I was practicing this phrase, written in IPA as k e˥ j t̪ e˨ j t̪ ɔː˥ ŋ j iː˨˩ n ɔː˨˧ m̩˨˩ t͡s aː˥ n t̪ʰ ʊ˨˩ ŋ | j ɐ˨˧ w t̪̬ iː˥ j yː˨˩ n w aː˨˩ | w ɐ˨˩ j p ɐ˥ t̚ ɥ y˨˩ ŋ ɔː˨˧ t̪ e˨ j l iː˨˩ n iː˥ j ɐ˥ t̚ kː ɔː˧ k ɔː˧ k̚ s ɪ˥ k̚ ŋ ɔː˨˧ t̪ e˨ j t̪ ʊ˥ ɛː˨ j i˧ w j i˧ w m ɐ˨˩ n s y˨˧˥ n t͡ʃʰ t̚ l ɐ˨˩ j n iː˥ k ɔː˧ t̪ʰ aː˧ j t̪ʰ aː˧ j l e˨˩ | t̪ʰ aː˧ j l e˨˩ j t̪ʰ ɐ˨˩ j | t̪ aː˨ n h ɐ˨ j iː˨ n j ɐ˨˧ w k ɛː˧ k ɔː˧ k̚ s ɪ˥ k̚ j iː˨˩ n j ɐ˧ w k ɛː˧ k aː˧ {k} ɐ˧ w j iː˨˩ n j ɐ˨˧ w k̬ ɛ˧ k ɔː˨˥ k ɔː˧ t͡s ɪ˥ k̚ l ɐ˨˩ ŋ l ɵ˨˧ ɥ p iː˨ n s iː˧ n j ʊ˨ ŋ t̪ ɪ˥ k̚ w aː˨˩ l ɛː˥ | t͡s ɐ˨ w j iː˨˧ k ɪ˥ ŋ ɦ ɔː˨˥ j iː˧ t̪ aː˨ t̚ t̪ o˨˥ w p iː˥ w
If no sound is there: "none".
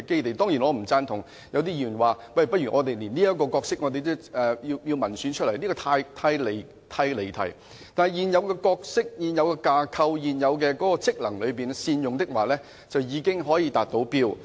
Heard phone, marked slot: kʰ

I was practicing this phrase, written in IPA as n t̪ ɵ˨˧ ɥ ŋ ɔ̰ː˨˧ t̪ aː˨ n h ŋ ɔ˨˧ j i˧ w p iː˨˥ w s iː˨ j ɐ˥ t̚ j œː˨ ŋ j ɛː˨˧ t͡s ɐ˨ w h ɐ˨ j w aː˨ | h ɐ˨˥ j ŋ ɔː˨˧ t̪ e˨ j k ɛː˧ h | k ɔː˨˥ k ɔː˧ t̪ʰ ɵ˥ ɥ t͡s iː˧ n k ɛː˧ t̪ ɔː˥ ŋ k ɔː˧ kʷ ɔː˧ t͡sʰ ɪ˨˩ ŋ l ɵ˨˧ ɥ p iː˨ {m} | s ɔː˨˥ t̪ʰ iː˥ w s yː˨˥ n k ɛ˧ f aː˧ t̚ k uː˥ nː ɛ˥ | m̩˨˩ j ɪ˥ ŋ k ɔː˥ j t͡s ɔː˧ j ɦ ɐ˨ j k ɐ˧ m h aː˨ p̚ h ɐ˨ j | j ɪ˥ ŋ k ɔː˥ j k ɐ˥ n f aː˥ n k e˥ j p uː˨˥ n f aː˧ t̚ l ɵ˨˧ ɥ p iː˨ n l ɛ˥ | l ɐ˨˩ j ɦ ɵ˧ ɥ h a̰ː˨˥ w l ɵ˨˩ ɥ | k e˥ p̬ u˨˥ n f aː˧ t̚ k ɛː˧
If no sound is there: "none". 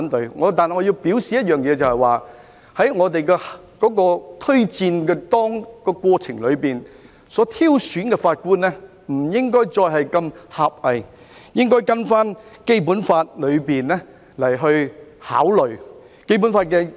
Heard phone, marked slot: n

